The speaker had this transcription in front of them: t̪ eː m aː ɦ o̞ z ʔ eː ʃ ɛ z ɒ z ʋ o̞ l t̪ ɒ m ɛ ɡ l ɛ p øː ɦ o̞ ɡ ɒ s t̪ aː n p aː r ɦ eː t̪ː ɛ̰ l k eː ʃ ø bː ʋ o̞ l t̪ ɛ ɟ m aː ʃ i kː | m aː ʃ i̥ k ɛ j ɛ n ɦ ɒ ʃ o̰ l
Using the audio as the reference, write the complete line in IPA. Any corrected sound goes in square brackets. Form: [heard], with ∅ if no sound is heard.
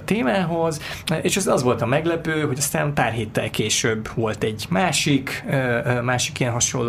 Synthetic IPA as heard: t̪ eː m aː ɦ o̞ z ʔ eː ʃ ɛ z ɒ z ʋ o̞ l t̪ ɒ m ɛ ɡ l ɛ p øː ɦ o̞ [ɟ] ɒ s t̪ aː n p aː r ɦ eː t̪ː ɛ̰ l k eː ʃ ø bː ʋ o̞ l t̪ ɛ ɟ m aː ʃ i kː | m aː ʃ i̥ k [i] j ɛ n ɦ ɒ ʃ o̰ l